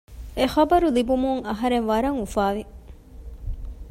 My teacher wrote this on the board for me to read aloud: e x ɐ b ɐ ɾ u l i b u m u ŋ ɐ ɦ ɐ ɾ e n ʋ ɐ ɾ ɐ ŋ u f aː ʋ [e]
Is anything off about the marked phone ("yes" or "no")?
yes